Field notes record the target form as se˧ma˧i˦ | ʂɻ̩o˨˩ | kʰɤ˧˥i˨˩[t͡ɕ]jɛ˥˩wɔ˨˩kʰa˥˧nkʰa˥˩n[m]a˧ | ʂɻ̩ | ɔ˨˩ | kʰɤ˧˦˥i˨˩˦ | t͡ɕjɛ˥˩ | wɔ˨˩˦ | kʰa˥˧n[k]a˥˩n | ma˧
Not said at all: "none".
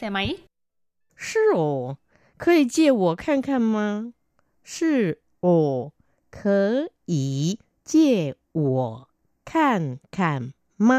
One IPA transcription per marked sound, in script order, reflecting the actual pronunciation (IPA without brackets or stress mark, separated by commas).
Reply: t͡ɕ, m, kʰ